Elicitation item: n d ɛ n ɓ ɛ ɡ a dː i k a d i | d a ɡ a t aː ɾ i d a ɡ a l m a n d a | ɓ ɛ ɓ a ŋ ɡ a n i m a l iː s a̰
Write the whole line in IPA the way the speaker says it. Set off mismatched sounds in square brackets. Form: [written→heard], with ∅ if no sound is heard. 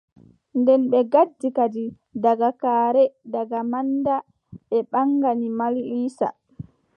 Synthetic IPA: n d ɛ n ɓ ɛ ɡ a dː i k a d i | d a ɡ a [t→k] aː ɾ [i→ɛ] d a ɡ a [l→∅] m a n d a | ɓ ɛ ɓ a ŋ ɡ a n i m a l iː s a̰